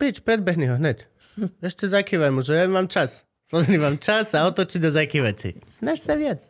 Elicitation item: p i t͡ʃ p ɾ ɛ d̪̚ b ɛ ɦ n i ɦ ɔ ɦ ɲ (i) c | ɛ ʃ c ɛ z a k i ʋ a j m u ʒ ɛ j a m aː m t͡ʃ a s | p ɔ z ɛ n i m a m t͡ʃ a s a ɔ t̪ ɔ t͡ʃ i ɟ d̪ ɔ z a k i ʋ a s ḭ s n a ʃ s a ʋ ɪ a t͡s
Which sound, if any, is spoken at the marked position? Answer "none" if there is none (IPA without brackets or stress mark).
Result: ɛ